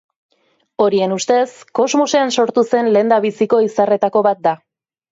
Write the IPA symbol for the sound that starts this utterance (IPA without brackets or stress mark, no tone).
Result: o̞